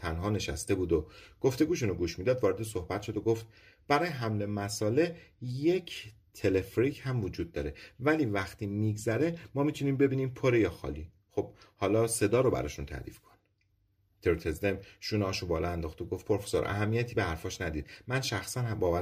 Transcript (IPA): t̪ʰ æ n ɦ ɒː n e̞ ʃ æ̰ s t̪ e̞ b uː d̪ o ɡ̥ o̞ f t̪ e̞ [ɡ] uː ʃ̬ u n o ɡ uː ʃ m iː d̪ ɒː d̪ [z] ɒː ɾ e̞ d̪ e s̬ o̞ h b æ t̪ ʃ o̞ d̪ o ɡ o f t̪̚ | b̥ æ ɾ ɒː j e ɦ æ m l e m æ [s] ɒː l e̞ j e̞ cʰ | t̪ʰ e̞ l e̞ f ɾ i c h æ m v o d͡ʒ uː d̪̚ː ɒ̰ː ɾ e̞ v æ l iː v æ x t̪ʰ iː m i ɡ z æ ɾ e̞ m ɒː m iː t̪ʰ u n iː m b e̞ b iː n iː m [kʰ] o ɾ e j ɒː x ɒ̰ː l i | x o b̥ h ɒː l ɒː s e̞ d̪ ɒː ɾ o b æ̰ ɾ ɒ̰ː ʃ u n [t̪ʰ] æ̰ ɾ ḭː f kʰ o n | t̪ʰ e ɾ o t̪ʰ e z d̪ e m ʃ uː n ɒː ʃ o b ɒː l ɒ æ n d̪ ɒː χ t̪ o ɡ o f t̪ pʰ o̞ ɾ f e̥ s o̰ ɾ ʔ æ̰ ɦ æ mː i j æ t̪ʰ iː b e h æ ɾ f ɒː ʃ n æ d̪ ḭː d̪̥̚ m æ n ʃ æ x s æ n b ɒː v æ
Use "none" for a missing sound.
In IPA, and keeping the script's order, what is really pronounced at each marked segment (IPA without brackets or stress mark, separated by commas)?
ɡ, v, s, pʰ, t̪ʰ